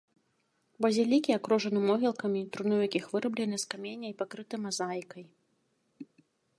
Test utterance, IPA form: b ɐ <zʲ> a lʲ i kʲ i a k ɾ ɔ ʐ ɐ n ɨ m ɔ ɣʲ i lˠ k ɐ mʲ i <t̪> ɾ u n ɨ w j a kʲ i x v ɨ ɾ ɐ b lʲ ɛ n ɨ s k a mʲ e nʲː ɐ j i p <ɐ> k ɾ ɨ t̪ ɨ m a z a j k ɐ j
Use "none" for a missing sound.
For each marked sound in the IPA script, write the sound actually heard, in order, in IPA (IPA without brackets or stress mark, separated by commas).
zʲ, t̪, a